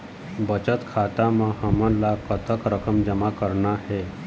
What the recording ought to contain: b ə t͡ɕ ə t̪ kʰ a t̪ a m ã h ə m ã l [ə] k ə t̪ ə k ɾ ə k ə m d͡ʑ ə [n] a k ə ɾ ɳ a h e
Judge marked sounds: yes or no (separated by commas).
no, no